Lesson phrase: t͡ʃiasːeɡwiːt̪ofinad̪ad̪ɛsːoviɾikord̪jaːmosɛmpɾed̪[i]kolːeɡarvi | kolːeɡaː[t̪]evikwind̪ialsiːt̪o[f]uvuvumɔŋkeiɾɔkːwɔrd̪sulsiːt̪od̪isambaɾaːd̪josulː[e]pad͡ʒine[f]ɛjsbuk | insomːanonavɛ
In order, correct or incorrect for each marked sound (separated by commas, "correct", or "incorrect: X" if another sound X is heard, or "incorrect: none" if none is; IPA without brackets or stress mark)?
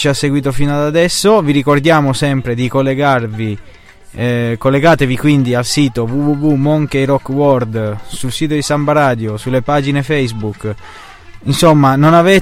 correct, correct, incorrect: v, correct, correct